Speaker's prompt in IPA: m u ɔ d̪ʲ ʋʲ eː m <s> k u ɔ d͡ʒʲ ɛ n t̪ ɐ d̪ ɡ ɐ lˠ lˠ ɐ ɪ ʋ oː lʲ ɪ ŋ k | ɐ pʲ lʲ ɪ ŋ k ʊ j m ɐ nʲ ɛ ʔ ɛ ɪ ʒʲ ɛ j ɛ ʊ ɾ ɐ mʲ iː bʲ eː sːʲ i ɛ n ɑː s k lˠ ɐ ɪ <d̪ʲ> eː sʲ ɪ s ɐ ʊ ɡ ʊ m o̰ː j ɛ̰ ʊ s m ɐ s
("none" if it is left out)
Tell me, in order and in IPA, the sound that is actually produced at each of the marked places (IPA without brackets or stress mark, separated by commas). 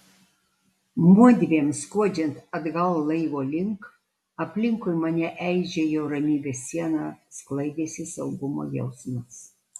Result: s, d̪ʲ